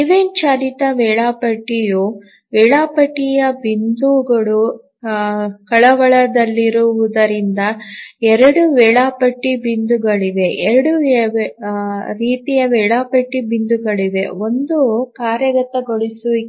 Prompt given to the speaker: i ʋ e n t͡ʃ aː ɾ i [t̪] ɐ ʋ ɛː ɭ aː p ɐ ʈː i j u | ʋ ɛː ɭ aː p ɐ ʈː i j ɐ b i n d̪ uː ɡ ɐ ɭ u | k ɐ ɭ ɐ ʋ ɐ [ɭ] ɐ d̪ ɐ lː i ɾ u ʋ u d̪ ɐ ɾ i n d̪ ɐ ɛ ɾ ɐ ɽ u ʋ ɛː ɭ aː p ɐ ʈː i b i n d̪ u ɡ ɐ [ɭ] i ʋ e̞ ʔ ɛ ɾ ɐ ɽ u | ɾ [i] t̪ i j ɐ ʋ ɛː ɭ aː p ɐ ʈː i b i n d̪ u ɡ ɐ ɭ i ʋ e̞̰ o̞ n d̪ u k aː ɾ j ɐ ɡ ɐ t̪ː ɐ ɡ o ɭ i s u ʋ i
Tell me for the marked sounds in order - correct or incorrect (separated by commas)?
correct, correct, correct, incorrect